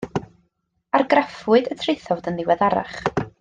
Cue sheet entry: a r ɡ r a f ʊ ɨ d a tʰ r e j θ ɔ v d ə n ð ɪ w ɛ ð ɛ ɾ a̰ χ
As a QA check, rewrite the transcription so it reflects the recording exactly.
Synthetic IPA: a r ɡ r a f ʊ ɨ d ə tʰ r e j θ ɔ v d ə n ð ɪ w ɛ ð a ɾ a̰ χ